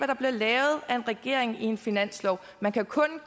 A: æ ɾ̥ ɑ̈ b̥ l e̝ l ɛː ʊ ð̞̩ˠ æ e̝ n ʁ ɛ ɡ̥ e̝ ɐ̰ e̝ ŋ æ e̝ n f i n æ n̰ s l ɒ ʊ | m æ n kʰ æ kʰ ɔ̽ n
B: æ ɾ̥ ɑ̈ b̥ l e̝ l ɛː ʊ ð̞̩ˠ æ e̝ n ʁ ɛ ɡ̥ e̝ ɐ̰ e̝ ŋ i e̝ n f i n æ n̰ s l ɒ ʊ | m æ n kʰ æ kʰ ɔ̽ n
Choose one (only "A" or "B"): B